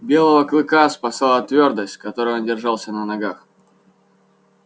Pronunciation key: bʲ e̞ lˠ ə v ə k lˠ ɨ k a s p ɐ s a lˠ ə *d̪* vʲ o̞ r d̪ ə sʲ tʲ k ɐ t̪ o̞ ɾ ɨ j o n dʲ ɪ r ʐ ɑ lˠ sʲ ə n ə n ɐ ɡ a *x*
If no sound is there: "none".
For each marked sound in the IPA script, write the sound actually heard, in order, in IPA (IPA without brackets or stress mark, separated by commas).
t̪, x